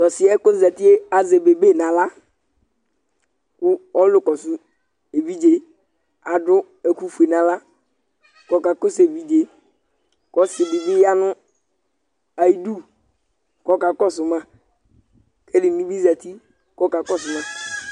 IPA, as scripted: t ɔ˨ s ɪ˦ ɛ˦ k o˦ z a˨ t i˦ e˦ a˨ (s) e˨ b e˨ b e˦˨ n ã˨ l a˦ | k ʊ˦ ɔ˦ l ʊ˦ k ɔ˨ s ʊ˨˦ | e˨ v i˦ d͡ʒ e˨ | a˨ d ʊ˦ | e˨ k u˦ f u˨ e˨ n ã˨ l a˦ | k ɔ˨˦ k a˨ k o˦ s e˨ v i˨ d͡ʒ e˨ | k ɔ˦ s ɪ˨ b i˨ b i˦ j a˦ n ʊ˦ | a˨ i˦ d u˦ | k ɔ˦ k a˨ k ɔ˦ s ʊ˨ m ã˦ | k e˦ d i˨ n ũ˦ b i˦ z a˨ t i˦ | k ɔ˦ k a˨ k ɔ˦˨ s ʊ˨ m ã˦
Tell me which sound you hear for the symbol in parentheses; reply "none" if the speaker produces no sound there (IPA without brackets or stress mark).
z